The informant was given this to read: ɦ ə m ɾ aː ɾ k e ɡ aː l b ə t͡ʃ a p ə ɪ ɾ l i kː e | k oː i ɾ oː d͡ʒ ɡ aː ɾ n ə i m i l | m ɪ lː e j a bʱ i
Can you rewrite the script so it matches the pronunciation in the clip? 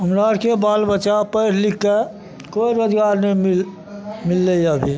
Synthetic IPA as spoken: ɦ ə m ɾ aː ɾ k e b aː l b ə t͡ʃ a p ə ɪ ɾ l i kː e | k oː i ɾ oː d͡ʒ ɡ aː ɾ n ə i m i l | m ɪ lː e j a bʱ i